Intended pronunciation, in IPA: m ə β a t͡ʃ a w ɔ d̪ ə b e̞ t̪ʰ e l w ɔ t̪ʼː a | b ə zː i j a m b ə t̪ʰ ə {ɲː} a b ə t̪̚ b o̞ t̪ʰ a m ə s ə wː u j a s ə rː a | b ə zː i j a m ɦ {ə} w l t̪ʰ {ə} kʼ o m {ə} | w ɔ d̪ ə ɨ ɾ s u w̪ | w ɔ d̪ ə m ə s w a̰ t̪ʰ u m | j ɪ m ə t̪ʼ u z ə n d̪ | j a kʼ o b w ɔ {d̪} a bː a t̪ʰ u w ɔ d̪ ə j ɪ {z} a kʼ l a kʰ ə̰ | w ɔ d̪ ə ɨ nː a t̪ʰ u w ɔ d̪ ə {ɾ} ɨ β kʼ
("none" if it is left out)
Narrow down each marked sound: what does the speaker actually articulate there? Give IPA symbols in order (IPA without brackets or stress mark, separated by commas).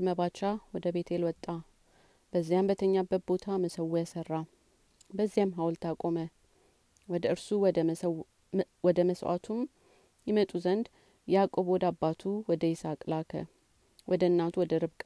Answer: ɲː, a, a, ə, d̪, s, ɾ